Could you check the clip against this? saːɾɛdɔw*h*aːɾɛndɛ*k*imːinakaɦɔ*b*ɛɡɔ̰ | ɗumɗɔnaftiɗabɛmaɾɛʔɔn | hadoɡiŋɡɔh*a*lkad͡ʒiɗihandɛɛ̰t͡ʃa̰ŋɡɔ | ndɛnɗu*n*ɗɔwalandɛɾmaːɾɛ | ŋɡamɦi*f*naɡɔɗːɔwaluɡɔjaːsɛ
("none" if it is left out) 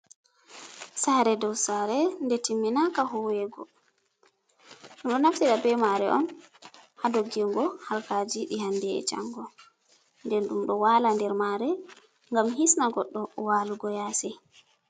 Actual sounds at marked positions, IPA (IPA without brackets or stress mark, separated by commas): s, t, w, a, m, s